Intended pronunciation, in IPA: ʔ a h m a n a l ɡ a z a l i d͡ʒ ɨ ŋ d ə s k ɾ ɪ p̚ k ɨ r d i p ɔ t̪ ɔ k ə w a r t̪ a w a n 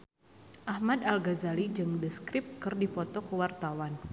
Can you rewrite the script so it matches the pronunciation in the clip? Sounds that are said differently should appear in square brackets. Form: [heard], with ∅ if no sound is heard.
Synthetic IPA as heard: ʔ a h m a [d] a l ɡ a z a l i d͡ʒ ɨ ŋ d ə s k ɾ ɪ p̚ k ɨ r d i p ɔ t̪ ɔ k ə w a r t̪ a w a n